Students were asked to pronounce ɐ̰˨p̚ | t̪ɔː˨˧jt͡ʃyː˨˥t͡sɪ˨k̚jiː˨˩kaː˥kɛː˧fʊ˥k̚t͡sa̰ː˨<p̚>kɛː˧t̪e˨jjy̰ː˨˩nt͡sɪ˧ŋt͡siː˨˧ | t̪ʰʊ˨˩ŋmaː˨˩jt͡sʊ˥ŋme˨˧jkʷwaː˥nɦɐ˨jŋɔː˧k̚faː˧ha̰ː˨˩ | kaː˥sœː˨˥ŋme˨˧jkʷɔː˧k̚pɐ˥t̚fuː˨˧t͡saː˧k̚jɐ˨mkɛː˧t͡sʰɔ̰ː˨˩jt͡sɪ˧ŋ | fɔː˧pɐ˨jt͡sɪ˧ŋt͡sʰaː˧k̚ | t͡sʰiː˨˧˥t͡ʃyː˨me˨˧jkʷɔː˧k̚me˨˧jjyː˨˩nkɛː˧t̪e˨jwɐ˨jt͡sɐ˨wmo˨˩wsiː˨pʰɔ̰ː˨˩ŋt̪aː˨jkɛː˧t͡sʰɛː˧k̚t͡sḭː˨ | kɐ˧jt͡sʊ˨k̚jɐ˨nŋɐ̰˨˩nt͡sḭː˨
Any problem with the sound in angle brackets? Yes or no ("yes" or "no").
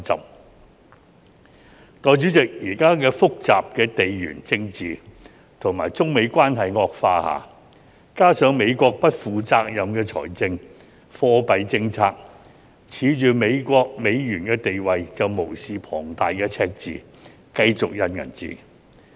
no